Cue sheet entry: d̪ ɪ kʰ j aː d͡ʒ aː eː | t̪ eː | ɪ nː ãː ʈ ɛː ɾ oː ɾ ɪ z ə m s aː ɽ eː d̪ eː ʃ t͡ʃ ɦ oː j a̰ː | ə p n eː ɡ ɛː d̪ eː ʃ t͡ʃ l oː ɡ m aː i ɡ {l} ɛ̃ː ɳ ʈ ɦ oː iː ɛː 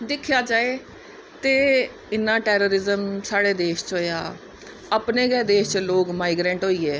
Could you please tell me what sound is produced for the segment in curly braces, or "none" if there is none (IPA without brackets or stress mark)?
ɾ